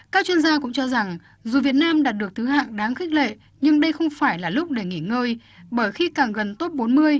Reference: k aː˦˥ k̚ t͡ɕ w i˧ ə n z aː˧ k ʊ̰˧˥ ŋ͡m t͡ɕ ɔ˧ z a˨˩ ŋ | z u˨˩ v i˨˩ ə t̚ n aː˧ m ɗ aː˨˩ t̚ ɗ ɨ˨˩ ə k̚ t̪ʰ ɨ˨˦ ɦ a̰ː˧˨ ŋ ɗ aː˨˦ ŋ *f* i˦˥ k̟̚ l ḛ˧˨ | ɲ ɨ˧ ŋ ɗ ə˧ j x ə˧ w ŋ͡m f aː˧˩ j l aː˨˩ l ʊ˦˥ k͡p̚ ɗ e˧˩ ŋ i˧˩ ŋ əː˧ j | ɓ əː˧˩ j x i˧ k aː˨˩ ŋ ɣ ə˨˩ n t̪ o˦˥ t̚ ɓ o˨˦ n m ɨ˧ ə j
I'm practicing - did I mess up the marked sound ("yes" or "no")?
yes